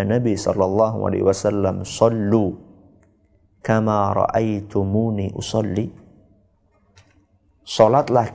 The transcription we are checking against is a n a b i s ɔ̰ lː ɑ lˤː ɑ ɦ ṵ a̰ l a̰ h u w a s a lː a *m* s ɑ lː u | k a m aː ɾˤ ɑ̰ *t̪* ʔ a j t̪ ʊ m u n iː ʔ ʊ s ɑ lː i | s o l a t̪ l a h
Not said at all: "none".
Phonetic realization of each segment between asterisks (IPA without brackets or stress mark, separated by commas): m, none